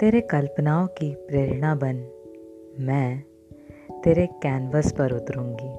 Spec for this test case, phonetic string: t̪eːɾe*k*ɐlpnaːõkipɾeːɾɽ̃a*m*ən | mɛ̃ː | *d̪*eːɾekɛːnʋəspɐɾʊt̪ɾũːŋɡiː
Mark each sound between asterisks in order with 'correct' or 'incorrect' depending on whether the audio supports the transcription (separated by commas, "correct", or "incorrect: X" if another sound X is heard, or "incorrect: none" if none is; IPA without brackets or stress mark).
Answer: correct, incorrect: b, incorrect: t̪